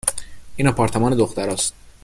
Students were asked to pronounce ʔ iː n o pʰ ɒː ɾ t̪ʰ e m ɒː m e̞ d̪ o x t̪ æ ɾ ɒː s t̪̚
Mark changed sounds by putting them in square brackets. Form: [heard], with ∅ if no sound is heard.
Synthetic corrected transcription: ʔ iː n [ɒ] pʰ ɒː ɾ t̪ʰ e m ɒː [n] e̞ d̪ o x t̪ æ ɾ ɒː s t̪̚